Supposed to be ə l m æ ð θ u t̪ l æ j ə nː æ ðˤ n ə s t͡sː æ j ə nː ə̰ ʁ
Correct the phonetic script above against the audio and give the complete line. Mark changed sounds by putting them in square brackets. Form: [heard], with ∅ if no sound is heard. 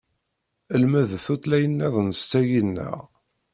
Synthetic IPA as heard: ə l m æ ð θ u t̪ l æ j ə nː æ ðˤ n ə s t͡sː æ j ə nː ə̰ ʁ